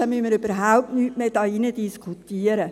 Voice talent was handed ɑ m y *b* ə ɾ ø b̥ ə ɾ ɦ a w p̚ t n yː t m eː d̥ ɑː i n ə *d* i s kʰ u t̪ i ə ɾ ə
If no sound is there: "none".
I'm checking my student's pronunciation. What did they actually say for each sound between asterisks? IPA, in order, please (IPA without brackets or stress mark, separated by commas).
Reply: m, d